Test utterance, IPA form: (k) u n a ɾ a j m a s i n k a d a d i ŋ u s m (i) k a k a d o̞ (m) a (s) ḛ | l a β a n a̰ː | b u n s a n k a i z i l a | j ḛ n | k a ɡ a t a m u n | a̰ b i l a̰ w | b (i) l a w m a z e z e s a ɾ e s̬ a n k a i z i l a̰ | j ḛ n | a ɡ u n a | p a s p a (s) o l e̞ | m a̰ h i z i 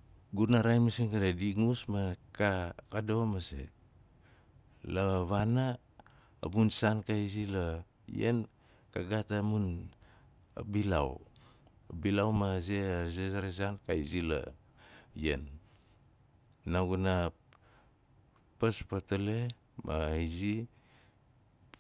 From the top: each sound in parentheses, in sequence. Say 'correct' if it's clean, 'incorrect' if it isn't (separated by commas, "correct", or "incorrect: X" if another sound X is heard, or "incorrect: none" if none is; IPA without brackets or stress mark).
incorrect: ɡ, incorrect: a, correct, correct, correct, incorrect: t